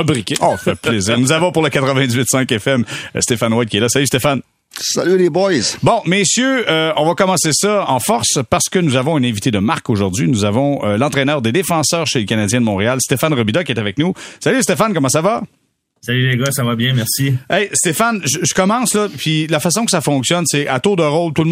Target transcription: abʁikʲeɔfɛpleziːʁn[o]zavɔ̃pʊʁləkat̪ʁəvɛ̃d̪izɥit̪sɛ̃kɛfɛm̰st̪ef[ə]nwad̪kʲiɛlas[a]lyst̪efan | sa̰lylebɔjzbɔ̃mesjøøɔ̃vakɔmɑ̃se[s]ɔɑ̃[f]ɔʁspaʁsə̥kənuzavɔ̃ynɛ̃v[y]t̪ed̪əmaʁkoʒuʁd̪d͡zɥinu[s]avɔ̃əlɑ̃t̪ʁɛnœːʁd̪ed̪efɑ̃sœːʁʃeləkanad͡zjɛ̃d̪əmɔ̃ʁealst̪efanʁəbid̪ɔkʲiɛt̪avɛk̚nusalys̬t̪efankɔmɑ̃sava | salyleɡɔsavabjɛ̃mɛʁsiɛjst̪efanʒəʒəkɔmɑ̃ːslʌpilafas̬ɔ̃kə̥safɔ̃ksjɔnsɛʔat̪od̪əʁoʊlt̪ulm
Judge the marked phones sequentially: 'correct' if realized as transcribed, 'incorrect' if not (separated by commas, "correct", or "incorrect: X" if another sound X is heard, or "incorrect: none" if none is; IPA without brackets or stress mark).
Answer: incorrect: u, incorrect: a, correct, correct, correct, incorrect: i, incorrect: z